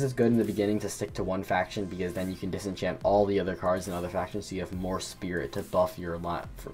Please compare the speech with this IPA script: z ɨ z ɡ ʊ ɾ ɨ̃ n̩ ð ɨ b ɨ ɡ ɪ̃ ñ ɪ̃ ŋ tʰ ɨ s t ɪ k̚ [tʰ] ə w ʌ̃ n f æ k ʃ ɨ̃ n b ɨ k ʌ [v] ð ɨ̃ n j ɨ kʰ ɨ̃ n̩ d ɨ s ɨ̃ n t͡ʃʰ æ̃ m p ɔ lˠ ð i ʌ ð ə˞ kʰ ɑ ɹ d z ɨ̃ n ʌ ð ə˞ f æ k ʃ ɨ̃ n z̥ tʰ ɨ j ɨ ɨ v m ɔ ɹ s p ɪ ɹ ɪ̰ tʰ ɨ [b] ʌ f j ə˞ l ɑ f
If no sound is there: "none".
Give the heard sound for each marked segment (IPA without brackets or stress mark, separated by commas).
tʰ, z, b